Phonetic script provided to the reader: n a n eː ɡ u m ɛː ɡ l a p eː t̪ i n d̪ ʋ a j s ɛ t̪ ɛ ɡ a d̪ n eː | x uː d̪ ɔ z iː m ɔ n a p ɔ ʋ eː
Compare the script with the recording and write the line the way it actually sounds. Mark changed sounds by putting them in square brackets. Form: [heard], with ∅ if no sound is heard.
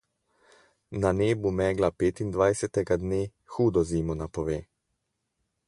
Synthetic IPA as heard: n a n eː [b] u m ɛː ɡ l a p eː t̪ i n d̪ ʋ a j s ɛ t̪ ɛ ɡ a d̪ n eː | x uː d̪ ɔ z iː m ɔ n a p ɔ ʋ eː